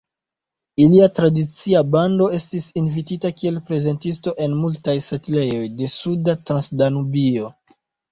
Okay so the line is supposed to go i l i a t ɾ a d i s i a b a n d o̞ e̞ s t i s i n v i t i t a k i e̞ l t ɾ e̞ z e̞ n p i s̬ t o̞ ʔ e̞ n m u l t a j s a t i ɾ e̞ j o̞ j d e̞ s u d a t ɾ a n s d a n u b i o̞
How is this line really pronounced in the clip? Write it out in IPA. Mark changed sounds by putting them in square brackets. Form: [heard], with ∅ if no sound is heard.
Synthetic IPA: i l i a t ɾ a d i [t͡s] i a b a n d o̞ e̞ s t i s i n v i t i t a k i e̞ l [p] ɾ e̞ z e̞ n [t] i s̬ t o̞ ʔ e̞ n m u l t a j s a t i [l] e̞ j o̞ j d e̞ s u d a t ɾ a n s d a n u b i o̞

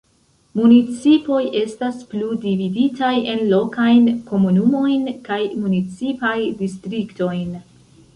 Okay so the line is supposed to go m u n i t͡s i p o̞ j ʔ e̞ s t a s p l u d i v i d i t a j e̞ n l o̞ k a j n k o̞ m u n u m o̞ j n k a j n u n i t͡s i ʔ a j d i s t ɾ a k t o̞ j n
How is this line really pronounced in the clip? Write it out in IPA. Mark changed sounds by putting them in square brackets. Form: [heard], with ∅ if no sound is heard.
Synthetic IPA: m u n i t͡s i p o̞ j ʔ e̞ s t a s p l u d i v i d i t a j e̞ n l o̞ k a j n k o̞ m u n u m o̞ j n k a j [m] u n i t͡s i [p] a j d i s t ɾ [i] k t o̞ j n

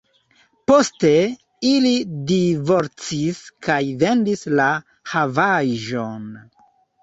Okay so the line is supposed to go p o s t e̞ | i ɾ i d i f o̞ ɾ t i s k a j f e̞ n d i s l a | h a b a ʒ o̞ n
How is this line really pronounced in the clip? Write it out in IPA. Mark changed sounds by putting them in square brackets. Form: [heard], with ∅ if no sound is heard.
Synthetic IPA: p o s t e̞ | i [l] i d i [v] o̞ ɾ [t͡s] i s k a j [v] e̞ n d i s l a | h a [v] a ʒ o̞ n

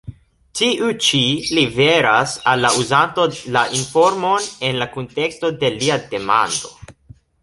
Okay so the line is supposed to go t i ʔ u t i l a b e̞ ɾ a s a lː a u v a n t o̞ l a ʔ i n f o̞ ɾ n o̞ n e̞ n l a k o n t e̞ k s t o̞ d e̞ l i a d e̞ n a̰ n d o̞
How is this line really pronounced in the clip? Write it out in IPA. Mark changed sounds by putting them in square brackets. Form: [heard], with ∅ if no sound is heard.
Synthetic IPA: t i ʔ u [t͡ʃ] i l [i] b e̞ ɾ a s a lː a u [z] a n t o̞ l a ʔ i n f o̞ ɾ [m] o̞ n e̞ n l a k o n t e̞ k s t o̞ d e̞ l i a d e̞ [m] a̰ n d o̞

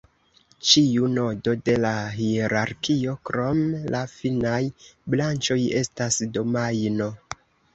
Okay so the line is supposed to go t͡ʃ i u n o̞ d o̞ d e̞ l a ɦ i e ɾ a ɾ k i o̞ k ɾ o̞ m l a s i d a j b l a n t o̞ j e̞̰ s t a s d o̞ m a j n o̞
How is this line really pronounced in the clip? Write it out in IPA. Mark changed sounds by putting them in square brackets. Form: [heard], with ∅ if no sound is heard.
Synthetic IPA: t͡ʃ i u n o̞ d o̞ d e̞ l a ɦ i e ɾ a ɾ k i o̞ k ɾ o̞ m l a [f] i [n] a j b l a n [t͡ʃ] o̞ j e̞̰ s t a s d o̞ m a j n o̞

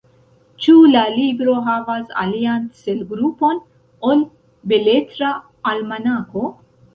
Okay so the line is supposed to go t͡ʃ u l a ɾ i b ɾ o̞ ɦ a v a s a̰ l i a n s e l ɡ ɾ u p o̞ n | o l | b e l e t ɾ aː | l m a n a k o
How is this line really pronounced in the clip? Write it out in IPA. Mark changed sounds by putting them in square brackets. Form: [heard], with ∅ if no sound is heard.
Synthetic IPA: t͡ʃ u l a [l] i b ɾ o̞ ɦ a v a s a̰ l i a n s e l ɡ ɾ u p o̞ n | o l | b e l e t ɾ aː | l m a n a k o

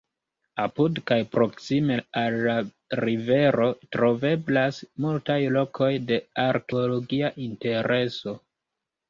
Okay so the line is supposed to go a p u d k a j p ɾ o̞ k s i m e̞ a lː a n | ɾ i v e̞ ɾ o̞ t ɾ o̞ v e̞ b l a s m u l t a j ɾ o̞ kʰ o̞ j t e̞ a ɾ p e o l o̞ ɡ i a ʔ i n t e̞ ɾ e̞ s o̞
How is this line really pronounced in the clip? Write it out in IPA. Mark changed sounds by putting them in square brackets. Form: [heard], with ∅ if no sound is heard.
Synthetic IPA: a p u d k a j p ɾ o̞ k s i m e̞ a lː a [∅] | ɾ i v e̞ ɾ o̞ t ɾ o̞ v e̞ b l a s m u l t a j [l] o̞ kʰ o̞ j [d] e̞ a ɾ [k] e o l o̞ ɡ i a ʔ i n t e̞ ɾ e̞ s o̞

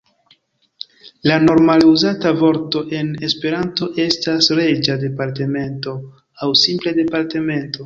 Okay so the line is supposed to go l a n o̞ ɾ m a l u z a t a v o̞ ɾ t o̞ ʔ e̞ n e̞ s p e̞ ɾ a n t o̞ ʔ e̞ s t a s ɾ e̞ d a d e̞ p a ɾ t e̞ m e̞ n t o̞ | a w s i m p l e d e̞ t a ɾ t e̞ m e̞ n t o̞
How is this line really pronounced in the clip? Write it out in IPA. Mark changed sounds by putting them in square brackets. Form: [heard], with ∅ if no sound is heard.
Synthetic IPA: l a n o̞ ɾ m a l u z a t a v o̞ ɾ t o̞ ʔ e̞ n e̞ s p e̞ ɾ a n t o̞ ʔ e̞ s t a s ɾ e̞ [d͡ʒ] a d e̞ p a ɾ t e̞ m e̞ n t o̞ | a w s i m p l e d e̞ [p] a ɾ t e̞ m e̞ n t o̞

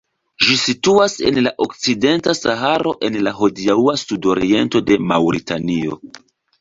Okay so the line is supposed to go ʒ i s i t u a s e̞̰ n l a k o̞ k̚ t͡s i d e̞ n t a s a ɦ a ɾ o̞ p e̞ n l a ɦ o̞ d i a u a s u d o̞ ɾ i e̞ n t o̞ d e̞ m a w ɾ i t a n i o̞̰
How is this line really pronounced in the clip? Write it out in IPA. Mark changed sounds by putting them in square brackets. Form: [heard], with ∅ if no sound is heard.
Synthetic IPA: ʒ i s i t u a s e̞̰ n l a [ʔ] o̞ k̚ t͡s i d e̞ n t a s a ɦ a ɾ o̞ [ʔ] e̞ n l a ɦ o̞ d i a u a s u d o̞ ɾ i e̞ n t o̞ d e̞ m a w ɾ i t a n i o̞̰

